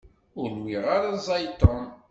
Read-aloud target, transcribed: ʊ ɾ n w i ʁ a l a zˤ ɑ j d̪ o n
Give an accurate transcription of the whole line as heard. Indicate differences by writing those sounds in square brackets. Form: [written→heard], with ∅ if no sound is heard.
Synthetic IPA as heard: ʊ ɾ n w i ʁ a [l→ɾ] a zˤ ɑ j [d̪→t̪] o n